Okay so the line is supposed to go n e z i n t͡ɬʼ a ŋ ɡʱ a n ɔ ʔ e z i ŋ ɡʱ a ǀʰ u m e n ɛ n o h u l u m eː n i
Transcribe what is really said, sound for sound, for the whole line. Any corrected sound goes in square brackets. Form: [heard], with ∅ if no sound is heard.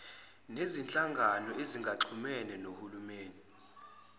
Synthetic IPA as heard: n e z i n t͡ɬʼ a ŋ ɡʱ a n ɔ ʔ e z i ŋ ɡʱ a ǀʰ u m [ɛ] n ɛ n o h u l u m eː n i